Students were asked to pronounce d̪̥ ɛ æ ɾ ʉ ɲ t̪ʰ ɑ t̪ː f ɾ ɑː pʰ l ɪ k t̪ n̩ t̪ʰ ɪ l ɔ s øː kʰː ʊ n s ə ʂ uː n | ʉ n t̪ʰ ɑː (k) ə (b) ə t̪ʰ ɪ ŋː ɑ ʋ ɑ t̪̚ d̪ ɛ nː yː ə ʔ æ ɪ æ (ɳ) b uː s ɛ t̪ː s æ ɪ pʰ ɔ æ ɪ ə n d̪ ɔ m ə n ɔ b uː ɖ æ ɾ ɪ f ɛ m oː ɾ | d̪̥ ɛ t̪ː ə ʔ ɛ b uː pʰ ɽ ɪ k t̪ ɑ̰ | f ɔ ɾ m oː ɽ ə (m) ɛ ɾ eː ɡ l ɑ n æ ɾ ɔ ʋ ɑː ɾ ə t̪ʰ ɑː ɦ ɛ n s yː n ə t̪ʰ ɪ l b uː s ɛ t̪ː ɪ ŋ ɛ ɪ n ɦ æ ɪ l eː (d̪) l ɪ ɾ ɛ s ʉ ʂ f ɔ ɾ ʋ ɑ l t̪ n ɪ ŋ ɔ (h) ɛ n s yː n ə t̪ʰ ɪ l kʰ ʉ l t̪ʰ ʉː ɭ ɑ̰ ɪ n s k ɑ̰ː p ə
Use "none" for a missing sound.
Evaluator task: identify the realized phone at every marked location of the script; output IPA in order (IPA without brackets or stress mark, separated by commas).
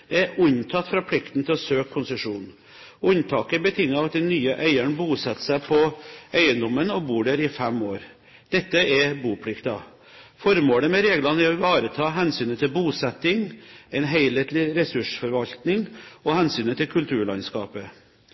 k, b, ɳ, m, t̪, h